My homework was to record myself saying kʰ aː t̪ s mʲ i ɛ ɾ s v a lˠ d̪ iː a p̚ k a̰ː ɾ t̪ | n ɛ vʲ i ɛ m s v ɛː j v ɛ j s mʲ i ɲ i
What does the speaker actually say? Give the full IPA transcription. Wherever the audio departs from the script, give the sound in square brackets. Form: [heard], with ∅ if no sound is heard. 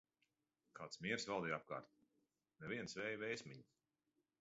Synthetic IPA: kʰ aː t̪ s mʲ i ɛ ɾ s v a lˠ d̪ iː a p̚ k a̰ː ɾ t̪ | n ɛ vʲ i ɛ [n] s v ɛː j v ɛ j s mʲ i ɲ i